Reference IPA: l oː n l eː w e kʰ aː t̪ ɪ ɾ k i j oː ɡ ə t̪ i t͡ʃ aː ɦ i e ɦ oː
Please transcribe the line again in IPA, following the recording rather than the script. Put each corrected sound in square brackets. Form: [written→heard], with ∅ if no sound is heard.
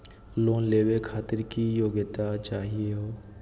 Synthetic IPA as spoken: l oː n l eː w e kʰ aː t̪ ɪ ɾ k i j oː ɡ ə t̪ [i→a] t͡ʃ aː ɦ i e ɦ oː